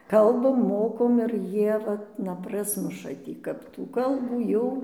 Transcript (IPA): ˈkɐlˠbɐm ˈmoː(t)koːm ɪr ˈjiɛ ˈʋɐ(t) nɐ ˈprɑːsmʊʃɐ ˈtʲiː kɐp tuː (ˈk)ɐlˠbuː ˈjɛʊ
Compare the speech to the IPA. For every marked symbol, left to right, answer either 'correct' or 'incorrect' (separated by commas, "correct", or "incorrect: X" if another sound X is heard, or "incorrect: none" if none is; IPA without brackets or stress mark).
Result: incorrect: none, correct, correct